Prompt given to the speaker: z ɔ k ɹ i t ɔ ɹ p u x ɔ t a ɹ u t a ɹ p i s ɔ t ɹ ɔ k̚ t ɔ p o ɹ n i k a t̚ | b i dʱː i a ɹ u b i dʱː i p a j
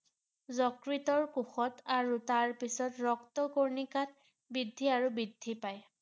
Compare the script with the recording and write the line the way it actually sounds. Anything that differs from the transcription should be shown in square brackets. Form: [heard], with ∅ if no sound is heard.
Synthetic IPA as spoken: z ɔ k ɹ i t ɔ ɹ [k] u x ɔ t a ɹ u t a ɹ p i s ɔ t ɹ ɔ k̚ t ɔ [k] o ɹ n i k a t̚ | b i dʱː i a ɹ u b i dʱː i p a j

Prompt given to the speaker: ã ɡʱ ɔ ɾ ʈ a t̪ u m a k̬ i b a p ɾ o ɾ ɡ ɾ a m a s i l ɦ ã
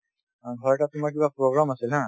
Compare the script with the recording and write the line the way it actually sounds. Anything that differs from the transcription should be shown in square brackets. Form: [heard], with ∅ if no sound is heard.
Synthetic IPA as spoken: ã ɡʱ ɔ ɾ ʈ a t̪ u m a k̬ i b a p ɾ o [∅] ɡ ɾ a m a s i l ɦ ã

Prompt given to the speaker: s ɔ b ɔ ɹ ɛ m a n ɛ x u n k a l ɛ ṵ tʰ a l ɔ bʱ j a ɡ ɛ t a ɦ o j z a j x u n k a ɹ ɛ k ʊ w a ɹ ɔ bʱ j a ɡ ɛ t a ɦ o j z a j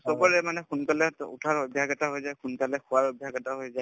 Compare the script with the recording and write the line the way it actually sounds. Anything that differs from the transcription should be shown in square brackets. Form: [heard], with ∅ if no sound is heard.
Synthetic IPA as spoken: s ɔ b ɔ ɹ ɛ m a n ɛ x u n k a l ɛ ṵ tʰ a [ɹ] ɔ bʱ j a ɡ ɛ t a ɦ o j z a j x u n k a [l] ɛ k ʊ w a ɹ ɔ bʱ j a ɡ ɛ t a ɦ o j z a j

